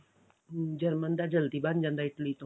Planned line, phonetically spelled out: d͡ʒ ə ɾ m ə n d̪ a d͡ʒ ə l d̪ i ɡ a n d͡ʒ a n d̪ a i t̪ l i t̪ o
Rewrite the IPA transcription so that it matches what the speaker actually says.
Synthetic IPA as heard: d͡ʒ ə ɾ m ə n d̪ a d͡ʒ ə l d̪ i b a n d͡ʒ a n d̪ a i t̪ l i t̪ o

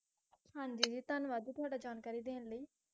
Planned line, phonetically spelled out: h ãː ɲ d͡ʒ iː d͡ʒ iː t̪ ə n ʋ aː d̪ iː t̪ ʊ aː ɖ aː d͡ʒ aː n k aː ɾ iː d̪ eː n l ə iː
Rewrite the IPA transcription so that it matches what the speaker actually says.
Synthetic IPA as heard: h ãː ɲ d͡ʒ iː d͡ʒ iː t̪ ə n ʋ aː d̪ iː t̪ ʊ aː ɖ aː d͡ʒ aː n k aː ɾ iː d̪ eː n l ə iː

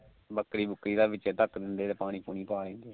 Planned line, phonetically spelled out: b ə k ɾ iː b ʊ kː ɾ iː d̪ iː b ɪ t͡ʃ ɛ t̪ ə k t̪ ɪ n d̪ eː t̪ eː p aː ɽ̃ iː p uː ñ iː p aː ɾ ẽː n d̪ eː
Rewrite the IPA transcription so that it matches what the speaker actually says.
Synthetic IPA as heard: b ə k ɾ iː b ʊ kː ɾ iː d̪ aː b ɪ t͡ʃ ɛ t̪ ə k d̪ ɪ n d̪ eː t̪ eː p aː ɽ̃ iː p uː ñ iː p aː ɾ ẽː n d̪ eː

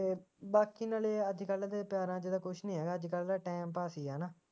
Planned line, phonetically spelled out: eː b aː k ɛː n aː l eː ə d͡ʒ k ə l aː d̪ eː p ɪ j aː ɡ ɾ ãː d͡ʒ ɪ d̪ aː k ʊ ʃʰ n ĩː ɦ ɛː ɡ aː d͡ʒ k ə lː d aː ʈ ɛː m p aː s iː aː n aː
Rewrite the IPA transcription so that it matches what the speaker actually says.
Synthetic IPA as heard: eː b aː k iː n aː l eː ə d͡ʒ k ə l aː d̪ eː p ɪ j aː ɾ ãː d͡ʒ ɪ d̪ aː k ʊ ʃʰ n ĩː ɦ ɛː ɡ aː d͡ʒ k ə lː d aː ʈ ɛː m p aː s iː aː n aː

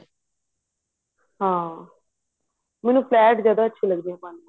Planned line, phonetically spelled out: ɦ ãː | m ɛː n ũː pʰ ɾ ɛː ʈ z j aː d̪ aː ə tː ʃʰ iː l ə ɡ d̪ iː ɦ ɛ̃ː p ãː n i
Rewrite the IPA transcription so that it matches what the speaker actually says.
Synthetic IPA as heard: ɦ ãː | m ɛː n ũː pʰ l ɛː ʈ z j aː d̪ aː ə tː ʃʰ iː l ə ɡ d̪ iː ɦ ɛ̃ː p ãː n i

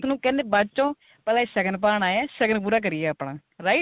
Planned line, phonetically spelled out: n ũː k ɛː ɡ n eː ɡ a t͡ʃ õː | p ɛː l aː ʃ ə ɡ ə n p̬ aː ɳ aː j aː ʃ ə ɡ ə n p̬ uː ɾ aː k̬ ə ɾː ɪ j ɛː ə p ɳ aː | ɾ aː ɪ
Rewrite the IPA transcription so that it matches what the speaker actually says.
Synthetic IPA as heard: n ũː k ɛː n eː b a t͡ʃ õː | p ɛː l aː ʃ ə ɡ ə n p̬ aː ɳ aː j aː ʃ ə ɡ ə n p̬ uː ɾ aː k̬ ə ɾ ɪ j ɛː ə p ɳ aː | ɾ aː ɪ

